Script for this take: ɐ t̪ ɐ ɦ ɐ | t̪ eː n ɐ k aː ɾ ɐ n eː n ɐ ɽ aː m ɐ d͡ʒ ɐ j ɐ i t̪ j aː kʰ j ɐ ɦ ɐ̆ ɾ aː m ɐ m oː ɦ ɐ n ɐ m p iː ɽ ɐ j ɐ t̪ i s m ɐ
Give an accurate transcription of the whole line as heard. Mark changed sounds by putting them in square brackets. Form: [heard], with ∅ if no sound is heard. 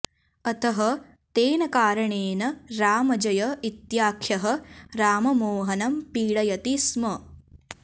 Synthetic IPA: ɐ t̪ ɐ ɦ ɐ | t̪ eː n ɐ k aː ɾ ɐ [ɳ] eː n ɐ [ɾ] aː m ɐ d͡ʒ ɐ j ɐ i t̪ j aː kʰ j ɐ ɦ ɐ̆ ɾ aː m ɐ m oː ɦ ɐ n ɐ m p iː ɽ ɐ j ɐ t̪ i s m ɐ